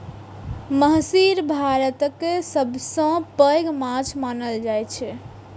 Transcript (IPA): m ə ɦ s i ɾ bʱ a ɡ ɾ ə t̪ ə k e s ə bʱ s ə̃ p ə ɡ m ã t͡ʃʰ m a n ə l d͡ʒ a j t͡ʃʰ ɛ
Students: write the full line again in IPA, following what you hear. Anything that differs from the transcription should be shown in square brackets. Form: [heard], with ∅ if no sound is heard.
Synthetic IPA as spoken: m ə ɦ s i ɾ bʱ a [∅] ɾ ə t̪ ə k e s ə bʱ s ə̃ p ə ɡ m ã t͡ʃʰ m a n ə l d͡ʒ a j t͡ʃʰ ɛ